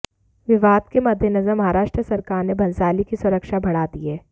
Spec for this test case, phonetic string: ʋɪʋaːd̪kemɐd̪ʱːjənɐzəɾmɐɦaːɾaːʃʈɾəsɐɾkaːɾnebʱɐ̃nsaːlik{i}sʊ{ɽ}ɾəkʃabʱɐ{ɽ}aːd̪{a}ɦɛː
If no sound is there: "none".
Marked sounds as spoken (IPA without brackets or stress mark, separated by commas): i, none, ɽ, i